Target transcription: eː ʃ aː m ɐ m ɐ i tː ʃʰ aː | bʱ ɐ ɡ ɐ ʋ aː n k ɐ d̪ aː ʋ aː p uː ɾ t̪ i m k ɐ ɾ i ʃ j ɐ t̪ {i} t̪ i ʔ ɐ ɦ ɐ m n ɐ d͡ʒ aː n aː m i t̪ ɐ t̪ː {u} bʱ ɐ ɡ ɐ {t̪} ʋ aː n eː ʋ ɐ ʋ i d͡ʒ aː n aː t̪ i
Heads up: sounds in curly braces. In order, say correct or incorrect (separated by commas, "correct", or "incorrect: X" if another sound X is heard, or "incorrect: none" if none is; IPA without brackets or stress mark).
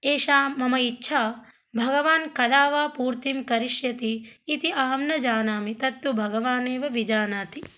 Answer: incorrect: iː, correct, incorrect: none